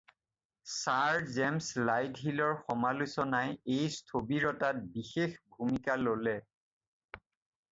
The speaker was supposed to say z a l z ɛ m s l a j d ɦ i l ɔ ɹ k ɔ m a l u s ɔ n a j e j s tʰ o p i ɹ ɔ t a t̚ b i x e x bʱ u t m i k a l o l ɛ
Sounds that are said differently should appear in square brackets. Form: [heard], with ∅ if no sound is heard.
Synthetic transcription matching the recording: [s] a [ɹ] z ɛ m s l a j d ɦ i l ɔ ɹ [x] ɔ m a l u s ɔ n a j e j s tʰ o [b] i ɹ ɔ t a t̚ b i x e x bʱ u [∅] m i k a l o l ɛ